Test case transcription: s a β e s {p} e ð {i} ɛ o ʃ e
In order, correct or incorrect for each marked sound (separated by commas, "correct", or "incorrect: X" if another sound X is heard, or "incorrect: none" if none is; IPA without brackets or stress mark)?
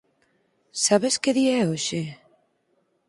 incorrect: k, correct